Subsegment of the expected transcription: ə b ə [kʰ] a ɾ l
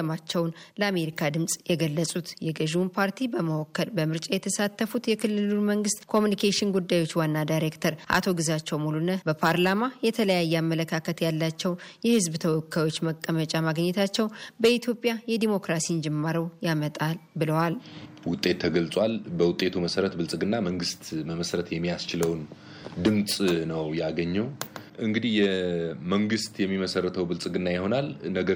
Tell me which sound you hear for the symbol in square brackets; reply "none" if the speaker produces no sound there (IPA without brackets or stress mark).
pʰ